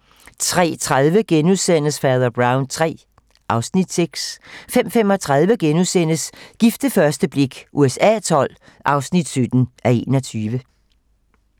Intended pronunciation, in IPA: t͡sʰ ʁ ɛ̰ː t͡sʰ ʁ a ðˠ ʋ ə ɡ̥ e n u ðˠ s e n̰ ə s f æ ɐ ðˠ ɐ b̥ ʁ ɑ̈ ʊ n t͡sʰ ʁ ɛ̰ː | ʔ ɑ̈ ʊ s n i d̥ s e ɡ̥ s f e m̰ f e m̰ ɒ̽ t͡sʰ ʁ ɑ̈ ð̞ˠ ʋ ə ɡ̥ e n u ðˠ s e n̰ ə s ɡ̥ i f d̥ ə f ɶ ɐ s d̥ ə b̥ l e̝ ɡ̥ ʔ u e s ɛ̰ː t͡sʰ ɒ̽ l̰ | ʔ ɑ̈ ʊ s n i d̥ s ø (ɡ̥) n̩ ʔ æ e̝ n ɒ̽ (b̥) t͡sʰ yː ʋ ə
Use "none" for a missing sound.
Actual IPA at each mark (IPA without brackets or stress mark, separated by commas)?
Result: d̥, none